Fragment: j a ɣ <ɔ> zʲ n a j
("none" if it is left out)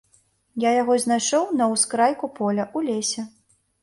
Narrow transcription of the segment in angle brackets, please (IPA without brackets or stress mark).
ɔ